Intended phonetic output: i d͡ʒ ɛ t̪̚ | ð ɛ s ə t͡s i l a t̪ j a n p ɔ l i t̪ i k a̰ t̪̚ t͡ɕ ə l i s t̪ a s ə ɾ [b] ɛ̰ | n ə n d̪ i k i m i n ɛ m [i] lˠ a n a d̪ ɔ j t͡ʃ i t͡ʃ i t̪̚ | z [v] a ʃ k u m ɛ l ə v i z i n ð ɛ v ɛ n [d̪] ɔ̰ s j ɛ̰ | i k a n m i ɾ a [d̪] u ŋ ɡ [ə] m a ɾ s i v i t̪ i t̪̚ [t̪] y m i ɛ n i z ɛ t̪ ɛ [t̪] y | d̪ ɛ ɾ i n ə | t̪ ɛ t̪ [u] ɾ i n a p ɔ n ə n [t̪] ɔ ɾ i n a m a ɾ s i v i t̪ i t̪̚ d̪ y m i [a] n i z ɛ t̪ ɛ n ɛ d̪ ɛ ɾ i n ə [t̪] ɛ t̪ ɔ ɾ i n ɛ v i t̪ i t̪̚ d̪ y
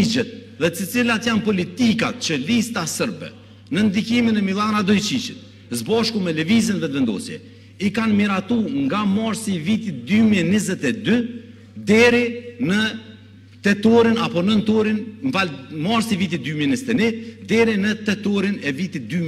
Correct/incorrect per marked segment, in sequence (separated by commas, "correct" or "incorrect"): correct, correct, incorrect, correct, incorrect, incorrect, incorrect, incorrect, incorrect, correct, incorrect, correct